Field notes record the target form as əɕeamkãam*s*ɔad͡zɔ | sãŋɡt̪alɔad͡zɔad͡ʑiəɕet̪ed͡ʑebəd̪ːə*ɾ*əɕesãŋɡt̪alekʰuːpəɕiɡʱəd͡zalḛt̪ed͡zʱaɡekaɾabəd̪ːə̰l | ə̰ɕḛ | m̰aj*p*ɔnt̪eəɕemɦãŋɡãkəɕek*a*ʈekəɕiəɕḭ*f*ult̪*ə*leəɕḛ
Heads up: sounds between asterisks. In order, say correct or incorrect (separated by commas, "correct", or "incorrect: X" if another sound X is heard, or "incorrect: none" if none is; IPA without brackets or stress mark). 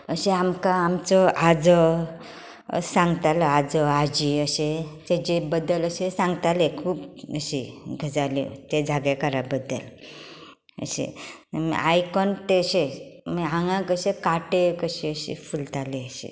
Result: incorrect: t͡s, incorrect: l, incorrect: k, correct, correct, incorrect: a